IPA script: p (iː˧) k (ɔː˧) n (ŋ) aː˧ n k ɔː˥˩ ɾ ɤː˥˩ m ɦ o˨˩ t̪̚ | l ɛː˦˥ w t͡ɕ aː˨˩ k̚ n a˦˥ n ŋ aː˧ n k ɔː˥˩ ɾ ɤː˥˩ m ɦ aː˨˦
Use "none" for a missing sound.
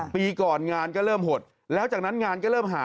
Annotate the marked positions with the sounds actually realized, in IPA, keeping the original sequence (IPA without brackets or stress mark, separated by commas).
iː˧, ɔː˨˩, ŋ